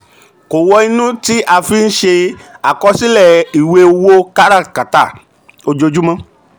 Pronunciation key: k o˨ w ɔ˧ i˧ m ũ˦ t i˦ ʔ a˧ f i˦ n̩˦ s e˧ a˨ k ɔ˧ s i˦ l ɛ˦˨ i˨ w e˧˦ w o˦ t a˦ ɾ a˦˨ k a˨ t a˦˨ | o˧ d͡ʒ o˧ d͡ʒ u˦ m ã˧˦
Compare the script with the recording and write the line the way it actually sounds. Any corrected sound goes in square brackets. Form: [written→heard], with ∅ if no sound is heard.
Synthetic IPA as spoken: k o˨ w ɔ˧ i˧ [m→n] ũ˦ t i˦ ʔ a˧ f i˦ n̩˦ [s→ʃ] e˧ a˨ k ɔ˧ s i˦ l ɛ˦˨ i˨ w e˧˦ w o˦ [t→k] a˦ ɾ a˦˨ k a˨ t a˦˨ | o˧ d͡ʒ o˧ d͡ʒ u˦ m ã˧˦